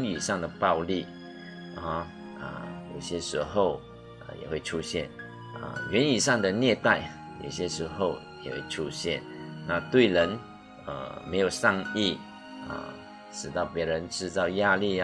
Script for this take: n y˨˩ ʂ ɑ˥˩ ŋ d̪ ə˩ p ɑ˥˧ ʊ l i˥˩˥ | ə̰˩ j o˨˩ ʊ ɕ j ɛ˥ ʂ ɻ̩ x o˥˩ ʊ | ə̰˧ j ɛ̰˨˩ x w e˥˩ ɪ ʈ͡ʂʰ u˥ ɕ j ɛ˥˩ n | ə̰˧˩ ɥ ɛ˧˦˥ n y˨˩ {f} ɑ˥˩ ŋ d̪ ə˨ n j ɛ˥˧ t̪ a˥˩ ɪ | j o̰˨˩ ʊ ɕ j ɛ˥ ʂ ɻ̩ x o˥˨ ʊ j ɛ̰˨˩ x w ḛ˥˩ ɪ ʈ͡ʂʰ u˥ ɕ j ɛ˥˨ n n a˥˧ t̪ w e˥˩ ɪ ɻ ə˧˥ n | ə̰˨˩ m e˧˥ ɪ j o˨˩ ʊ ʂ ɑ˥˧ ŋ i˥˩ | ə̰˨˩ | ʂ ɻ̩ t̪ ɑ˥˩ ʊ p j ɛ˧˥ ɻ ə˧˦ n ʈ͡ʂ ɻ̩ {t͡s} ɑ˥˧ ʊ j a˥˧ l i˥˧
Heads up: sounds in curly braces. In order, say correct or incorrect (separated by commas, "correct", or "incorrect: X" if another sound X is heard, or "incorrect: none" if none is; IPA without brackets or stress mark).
incorrect: ʂ, correct